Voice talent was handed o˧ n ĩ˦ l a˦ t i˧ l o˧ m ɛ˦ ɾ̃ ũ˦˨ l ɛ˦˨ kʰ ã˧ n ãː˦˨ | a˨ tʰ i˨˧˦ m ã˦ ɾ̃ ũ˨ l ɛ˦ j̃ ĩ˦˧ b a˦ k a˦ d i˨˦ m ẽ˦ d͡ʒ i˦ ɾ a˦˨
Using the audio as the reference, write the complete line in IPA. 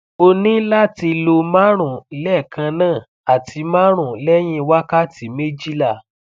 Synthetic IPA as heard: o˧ n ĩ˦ l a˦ t i˧ l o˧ m a˦ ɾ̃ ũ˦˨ l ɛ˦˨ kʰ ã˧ n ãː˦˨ | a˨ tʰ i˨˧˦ m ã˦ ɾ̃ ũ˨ l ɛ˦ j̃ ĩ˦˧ w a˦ k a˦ t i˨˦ m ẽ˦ d͡ʒ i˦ l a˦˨